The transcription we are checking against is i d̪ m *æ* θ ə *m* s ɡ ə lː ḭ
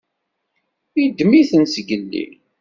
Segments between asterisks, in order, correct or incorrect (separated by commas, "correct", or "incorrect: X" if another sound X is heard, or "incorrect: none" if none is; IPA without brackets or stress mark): incorrect: i, incorrect: n